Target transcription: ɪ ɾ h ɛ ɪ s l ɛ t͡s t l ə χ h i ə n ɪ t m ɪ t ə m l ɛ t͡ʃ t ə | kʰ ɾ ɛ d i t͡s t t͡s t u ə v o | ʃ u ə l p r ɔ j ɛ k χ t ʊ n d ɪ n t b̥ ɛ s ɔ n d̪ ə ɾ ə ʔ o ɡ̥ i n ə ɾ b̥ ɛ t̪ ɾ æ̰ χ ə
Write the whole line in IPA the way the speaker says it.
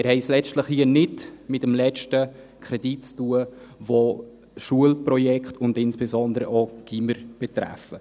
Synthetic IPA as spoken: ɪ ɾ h ɛ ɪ s l ɛ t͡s t l ə χ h i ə n ɪ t m ɪ t ə m l ɛ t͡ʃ t ə | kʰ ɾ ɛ d i t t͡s t u ə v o | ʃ u ə l p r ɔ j ɛ k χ t ʊ n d ɪ n s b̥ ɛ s ɔ n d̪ ə ɾ ə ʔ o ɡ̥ i m ə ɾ b̥ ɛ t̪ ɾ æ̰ f ə